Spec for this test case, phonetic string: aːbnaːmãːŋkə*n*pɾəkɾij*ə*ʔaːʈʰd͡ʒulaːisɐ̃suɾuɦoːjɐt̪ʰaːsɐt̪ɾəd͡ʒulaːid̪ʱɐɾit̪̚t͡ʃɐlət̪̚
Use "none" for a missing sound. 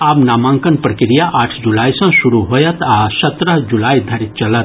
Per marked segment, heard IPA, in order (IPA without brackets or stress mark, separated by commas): n, a